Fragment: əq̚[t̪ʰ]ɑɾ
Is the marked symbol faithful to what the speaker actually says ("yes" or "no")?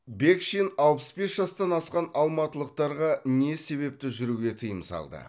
no